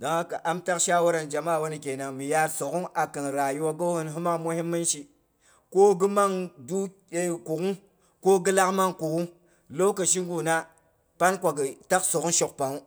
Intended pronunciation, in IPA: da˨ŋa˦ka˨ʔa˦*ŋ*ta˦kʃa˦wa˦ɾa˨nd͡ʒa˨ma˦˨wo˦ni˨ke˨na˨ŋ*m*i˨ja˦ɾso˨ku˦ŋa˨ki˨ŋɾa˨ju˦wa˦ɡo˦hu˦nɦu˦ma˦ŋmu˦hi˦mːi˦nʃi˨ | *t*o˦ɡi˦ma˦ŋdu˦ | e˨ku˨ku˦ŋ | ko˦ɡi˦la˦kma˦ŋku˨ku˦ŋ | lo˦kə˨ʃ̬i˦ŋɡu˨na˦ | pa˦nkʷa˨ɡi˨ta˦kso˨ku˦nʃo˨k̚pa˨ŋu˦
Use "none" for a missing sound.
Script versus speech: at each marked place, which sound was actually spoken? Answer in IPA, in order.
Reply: m, m, k

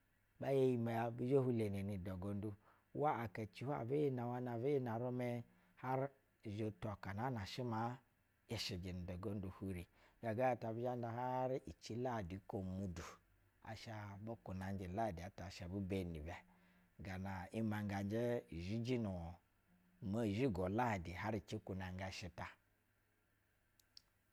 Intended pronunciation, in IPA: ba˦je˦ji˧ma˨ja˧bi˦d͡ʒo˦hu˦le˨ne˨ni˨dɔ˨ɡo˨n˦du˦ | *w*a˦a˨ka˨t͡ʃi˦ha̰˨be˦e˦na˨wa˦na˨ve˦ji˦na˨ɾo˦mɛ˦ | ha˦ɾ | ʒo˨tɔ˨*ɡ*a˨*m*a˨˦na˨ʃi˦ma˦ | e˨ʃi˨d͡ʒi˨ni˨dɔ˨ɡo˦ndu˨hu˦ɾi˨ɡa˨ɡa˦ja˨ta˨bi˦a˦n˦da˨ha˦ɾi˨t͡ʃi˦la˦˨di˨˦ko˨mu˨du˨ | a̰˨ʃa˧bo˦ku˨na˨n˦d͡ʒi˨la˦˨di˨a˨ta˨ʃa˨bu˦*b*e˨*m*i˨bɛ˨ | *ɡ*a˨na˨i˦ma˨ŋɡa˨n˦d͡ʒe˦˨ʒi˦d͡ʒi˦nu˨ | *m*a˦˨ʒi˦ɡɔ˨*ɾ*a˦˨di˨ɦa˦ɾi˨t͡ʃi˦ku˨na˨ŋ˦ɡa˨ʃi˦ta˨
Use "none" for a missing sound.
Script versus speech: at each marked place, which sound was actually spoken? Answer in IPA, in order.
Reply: w, k, n, b, n, ɡ, m, l

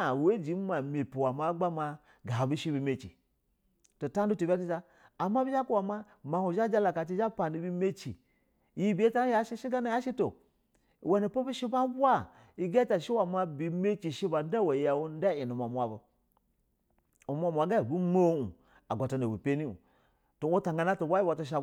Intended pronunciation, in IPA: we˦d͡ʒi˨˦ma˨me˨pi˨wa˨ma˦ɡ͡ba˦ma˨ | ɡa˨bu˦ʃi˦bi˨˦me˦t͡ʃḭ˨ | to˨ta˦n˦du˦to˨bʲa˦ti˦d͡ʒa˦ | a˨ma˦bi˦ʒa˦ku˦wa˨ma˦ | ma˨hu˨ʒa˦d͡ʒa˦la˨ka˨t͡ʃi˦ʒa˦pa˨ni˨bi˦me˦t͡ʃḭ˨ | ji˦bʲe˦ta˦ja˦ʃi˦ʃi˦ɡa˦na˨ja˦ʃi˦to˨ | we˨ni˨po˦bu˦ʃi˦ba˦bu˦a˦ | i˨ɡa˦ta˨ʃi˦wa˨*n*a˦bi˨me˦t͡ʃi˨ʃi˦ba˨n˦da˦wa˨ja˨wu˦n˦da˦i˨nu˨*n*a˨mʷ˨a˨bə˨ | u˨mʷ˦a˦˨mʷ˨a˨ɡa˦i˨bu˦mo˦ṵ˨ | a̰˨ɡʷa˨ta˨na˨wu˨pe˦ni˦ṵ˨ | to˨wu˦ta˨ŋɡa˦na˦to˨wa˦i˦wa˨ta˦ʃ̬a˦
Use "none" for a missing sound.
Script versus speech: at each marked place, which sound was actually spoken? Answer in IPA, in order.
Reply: m, m

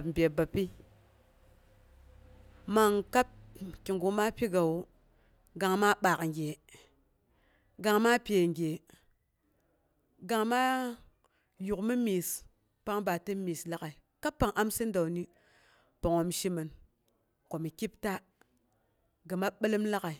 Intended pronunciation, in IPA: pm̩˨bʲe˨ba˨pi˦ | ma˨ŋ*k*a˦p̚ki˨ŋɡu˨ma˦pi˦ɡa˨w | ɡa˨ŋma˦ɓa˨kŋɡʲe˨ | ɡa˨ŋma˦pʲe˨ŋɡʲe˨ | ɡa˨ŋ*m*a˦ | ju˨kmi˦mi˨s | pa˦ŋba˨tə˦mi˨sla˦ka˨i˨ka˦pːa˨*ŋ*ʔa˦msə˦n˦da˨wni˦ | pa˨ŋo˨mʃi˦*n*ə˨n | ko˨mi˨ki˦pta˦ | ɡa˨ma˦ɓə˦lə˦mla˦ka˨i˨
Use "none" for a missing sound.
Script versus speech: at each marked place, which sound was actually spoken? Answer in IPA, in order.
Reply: k, m, ŋ, m

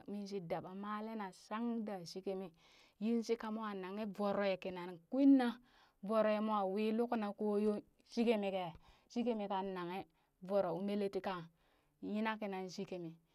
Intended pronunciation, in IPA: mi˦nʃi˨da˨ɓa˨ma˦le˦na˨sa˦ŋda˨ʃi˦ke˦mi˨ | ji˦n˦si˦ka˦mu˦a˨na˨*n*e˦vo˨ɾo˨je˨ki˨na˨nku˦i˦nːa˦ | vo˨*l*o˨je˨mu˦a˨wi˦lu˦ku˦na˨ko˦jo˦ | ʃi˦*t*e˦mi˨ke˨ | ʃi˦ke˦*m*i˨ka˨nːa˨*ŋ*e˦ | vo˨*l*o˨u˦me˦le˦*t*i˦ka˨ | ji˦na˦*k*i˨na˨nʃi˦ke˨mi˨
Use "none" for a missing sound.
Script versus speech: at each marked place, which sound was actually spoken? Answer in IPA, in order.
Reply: ŋ, ɾ, k, m, ŋ, ɾ, t, k

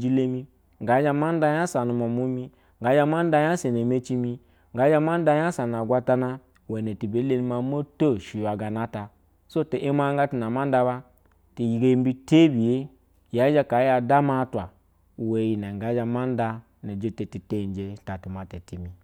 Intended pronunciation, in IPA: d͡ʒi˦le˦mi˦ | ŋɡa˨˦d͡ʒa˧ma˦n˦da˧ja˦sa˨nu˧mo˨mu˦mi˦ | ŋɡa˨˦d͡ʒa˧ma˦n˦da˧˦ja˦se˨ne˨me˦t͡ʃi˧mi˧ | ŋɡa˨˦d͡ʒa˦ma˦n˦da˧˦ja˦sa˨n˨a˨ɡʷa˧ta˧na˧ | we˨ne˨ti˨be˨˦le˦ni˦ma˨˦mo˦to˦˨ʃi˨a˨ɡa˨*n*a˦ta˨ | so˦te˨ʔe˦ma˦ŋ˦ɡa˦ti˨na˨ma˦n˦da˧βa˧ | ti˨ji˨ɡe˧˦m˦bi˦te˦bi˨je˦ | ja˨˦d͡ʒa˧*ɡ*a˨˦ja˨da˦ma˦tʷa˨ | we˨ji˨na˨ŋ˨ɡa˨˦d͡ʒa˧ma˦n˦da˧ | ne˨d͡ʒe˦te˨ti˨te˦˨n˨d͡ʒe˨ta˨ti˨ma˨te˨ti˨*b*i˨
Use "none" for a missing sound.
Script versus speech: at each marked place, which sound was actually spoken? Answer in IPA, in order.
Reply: n, k, m

